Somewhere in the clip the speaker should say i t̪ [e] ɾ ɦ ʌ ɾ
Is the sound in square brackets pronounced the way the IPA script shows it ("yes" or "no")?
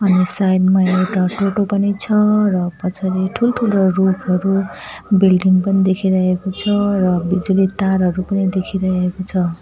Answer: no